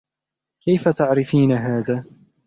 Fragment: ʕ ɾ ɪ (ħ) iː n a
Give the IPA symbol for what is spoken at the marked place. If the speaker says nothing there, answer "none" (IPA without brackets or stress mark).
f